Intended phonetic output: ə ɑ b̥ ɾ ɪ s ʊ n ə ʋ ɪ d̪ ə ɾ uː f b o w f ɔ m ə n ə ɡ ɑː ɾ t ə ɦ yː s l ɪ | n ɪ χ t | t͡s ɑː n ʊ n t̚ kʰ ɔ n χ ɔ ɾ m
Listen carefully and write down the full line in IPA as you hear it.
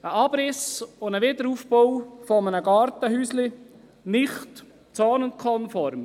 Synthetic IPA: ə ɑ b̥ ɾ ɪ s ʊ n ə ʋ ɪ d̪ ə ɾ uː f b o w f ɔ m ə n ə ɡ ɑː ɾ t ə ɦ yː s l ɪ | n ɪ χ t | t͡s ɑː n ʊ n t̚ kʰ ɔ n f ɔ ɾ m